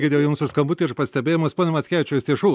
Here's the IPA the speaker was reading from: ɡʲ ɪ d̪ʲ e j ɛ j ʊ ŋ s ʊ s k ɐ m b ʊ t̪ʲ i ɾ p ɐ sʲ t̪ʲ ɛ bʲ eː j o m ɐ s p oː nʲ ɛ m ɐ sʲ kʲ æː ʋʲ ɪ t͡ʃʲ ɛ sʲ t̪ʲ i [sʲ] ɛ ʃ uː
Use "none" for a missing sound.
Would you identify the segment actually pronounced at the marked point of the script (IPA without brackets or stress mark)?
none